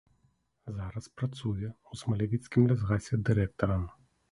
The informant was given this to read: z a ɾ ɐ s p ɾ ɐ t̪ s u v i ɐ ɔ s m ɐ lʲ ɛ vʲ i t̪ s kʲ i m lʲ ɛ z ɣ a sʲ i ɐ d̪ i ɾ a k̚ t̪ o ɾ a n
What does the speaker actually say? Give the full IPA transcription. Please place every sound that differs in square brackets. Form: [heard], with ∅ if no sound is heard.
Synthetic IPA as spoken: z a ɾ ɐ s p ɾ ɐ t̪ s u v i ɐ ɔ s m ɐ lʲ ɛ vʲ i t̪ s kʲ i m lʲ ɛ z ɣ a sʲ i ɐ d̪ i ɾ [ɛ] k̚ t̪ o ɾ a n